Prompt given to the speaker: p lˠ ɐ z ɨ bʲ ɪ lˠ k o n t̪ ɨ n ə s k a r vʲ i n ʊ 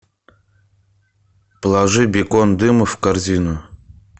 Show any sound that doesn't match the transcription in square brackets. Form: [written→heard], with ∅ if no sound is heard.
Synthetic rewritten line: p lˠ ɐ [z→ʐ] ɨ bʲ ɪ [lˠ→∅] k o n [t̪→d̪] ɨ [n→m] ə [s→f] k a r [vʲ→zʲ] i n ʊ